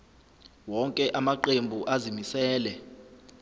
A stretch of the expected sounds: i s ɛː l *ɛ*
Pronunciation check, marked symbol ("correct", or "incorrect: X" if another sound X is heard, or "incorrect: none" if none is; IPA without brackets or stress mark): correct